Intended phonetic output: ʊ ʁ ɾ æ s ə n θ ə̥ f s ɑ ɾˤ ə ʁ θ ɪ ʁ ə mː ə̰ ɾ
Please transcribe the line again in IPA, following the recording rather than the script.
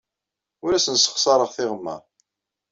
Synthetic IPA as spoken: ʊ ɾ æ s ə n s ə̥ χ s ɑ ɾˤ ə ʁ θ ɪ ʁ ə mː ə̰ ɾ